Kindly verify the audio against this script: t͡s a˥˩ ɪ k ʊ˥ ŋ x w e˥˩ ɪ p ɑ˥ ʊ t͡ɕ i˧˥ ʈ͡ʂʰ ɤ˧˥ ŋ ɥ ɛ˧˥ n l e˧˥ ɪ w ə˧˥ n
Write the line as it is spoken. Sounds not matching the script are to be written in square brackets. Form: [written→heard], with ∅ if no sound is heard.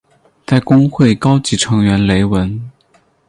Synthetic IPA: t͡s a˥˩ ɪ k ʊ˥ ŋ x w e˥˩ ɪ [p→k] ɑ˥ ʊ t͡ɕ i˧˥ ʈ͡ʂʰ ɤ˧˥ ŋ ɥ ɛ˧˥ n l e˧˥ ɪ w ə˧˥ n